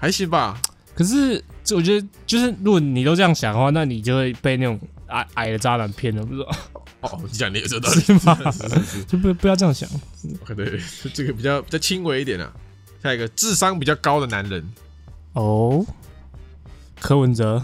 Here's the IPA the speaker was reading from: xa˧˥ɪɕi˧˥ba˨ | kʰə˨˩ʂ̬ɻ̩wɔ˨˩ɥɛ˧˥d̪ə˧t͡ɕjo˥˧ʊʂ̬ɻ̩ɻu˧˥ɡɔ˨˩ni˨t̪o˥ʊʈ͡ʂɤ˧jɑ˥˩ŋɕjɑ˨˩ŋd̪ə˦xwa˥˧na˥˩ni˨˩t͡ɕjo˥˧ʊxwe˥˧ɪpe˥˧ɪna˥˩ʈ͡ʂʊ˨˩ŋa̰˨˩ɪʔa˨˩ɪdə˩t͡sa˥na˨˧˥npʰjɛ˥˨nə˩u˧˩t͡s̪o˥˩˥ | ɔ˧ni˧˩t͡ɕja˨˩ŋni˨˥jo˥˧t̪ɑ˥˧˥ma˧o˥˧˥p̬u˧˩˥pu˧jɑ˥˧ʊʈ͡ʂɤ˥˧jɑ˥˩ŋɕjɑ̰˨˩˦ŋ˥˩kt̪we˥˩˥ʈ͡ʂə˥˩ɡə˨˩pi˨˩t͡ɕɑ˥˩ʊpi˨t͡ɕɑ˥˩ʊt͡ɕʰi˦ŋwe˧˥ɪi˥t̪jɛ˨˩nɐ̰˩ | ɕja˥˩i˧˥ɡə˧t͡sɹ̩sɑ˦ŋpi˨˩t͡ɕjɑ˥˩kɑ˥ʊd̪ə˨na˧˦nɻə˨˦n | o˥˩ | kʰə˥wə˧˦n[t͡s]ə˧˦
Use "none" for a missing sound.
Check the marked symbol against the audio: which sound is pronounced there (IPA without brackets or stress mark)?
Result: t͡s